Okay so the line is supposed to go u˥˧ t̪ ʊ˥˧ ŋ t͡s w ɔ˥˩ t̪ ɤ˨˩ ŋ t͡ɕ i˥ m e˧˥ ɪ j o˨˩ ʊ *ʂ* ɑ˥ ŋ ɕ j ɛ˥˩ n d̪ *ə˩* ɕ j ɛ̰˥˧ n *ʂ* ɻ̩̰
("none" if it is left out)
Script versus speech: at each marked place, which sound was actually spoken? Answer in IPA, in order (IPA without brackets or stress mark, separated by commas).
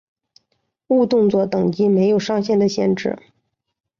ʂ, ə˩, ʈ͡ʂ